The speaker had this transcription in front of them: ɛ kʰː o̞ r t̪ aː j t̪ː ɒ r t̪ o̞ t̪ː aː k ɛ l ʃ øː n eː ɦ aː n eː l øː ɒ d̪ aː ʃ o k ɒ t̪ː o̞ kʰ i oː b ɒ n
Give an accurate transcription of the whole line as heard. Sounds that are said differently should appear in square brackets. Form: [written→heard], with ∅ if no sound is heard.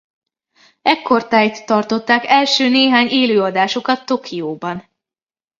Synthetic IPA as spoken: ɛ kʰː o̞ r t̪ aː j t̪ː ɒ r t̪ o̞ t̪ː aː k ɛ l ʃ øː n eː ɦ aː [n→ɲ] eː l øː ɒ d̪ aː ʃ o k ɒ t̪ː o̞ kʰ i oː b ɒ n